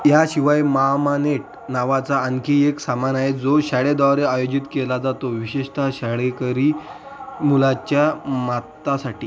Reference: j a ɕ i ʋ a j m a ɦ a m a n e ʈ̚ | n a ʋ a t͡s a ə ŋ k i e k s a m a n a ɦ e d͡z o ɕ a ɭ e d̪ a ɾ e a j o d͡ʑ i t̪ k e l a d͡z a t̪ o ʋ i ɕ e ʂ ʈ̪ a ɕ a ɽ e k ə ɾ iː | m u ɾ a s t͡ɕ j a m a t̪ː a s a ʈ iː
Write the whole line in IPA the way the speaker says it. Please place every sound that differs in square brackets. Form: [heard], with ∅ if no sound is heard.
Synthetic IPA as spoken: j a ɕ i ʋ a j m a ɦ a m a n e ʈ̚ | n a ʋ a t͡s a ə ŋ k i e k s a m a n a ɦ e d͡z o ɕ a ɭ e d̪ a ɾ e a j o d͡ʑ i t̪ k e l a d͡z a t̪ o ʋ i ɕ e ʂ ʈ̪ a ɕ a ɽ e k ə ɾ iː | m u [l] a [∅] t͡ɕ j a m a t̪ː a s a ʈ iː

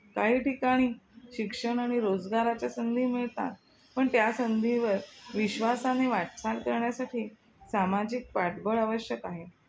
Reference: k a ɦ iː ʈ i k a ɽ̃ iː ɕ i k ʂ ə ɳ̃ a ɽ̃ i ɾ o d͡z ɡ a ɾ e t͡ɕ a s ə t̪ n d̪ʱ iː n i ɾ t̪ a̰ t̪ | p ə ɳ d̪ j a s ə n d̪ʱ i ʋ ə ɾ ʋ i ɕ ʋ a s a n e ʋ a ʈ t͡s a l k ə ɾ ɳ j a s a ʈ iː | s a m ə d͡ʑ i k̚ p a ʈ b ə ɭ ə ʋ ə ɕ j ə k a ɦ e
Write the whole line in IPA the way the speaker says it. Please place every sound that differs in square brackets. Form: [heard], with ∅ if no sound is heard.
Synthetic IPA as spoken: k a ɦ iː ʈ i k a ɽ̃ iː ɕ i k ʂ ə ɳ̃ a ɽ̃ i ɾ o d͡z ɡ a ɾ [a] t͡ɕ a s ə [∅] n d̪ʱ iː [m] i [ɭ] t̪ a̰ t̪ | p ə ɳ [t̪] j a s ə n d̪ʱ i ʋ ə ɾ ʋ i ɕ ʋ a s a n e ʋ a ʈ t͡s a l k ə ɾ ɳ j a s a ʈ iː | s a m [a] d͡ʑ i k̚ p a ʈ b ə ɭ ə ʋ ə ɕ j ə k a ɦ e

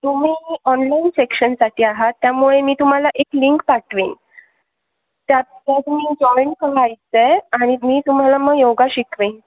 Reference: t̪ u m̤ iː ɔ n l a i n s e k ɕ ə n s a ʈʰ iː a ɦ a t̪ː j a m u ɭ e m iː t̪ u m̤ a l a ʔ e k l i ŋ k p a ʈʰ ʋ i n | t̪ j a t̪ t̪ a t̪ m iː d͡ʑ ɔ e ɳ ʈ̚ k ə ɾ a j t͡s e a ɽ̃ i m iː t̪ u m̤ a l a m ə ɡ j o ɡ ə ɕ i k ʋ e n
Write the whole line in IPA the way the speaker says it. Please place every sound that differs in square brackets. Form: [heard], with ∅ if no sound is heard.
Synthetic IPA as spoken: t̪ u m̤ iː ɔ n l a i n s e k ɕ ə n s a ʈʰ iː a ɦ a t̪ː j a m u ɭ e m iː t̪ u m̤ a l a ʔ e k l i ŋ k p a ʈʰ ʋ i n | t̪ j a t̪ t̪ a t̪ m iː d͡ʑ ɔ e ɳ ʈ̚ k ə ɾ a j t͡s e a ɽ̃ i m iː t̪ u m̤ a l a m ə ɡ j o ɡ [a] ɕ i k ʋ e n

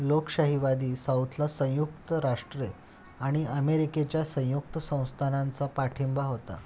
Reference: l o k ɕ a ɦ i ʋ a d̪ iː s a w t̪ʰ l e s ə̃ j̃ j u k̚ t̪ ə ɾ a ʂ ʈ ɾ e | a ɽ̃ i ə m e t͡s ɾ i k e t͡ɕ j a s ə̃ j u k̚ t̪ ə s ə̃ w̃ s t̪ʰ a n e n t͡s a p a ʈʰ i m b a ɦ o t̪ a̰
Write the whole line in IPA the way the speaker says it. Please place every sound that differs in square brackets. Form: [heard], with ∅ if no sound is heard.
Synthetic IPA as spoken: l o k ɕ a ɦ i ʋ a d̪ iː s a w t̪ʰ l [a] s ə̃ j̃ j u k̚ t̪ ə ɾ a ʂ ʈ ɾ e | a ɽ̃ i ə m e [∅] ɾ i k e t͡ɕ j a s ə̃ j u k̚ t̪ ə s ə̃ w̃ s t̪ʰ a n [a] n t͡s a p a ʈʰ i m b a ɦ o t̪ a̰

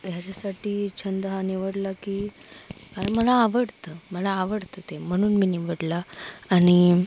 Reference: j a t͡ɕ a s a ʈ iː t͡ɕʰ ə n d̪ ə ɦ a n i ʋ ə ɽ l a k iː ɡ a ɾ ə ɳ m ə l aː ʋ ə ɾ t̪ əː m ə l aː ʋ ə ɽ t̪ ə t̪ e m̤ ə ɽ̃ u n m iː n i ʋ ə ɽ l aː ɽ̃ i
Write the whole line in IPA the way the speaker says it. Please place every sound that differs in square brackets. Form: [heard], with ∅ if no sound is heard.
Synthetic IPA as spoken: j a t͡ɕ a s a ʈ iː t͡ɕʰ ə n d̪ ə ɦ a n i ʋ ə ɽ l a k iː [k] a ɾ ə ɳ m ə l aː ʋ ə [ɽ] t̪ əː m ə l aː ʋ ə ɽ t̪ ə t̪ e m̤ ə ɽ̃ [uː] n m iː n i ʋ ə ɽ l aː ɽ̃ i

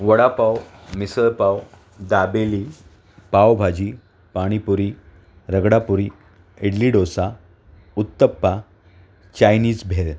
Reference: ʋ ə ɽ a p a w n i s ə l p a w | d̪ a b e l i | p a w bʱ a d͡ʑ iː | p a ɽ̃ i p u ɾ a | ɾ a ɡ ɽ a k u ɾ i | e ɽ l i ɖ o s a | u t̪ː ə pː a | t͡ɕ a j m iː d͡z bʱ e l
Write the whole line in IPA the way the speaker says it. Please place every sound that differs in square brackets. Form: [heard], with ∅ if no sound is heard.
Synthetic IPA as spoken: ʋ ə ɽ a p a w [m] i s ə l p a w | d̪ a b e l i | p a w bʱ a d͡ʑ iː | p a ɽ̃ i p u ɾ [i] | ɾ [ə] ɡ ɽ a [p] u ɾ i | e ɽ l i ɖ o s a | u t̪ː ə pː a | t͡ɕ a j [n] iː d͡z bʱ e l

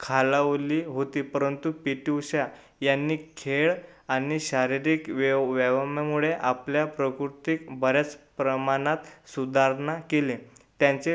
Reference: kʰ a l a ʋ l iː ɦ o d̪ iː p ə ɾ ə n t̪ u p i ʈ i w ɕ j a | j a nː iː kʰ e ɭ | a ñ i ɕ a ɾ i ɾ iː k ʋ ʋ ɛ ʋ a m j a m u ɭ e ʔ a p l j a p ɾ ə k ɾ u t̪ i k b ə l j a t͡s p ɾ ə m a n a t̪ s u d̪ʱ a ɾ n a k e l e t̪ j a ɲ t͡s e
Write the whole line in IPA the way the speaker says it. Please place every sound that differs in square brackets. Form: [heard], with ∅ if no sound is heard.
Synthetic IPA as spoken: kʰ a l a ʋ l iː ɦ o [t̪] iː p ə ɾ ə n t̪ u p i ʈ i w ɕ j a | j a nː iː kʰ e ɭ | a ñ i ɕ a ɾ i ɾ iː k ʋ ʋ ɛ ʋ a m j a m u ɭ e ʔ a p l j a p ɾ ə k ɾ u t̪ i k b ə [ɾ] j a t͡s p ɾ ə m a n a t̪ s u d̪ʱ a ɾ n a k e l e t̪ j a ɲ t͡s e

